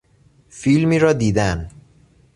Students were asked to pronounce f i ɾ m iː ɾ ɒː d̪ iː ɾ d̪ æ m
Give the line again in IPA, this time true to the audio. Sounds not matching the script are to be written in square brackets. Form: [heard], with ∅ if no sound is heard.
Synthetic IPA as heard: f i [l] m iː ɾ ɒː d̪ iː [∅] d̪ æ [n]

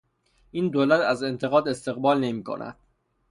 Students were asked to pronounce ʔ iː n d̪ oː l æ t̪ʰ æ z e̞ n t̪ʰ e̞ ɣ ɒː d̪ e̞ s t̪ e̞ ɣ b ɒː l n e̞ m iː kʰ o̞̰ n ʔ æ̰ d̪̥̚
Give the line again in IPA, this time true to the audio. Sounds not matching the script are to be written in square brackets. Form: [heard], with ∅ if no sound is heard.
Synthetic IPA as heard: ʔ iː n d̪ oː l æ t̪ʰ æ z e̞ n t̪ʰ e̞ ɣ ɒː d̪ e̞ s t̪ e̞ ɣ b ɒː l n e̞ m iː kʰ o̞̰ n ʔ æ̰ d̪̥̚

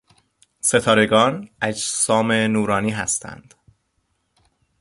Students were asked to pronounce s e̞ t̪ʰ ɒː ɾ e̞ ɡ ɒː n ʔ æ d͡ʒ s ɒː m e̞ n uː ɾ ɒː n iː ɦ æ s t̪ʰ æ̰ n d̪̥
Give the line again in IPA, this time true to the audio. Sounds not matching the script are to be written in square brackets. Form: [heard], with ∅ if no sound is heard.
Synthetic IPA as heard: s e̞ t̪ʰ ɒː ɾ e̞ ɡ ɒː n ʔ æ d͡ʒ s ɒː m e̞ n uː ɾ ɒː n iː ɦ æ s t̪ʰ æ̰ n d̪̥

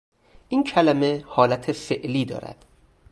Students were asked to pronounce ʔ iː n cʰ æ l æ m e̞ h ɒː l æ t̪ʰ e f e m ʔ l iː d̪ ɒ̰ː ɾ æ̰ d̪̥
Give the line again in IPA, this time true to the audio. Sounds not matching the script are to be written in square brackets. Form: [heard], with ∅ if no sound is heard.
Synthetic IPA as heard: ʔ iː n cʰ æ l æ m e̞ h ɒː l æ t̪ʰ e f e [∅] ʔ l iː d̪ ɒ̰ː ɾ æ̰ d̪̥

